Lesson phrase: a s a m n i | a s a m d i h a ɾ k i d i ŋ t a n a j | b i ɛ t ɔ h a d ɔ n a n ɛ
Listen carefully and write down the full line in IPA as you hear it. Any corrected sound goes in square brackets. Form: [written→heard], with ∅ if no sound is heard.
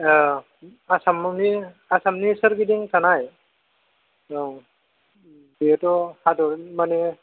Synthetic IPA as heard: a s a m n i | a s a m [d→n] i [h→s] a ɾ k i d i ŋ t a n a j | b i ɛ t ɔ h a d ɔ [n→m] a n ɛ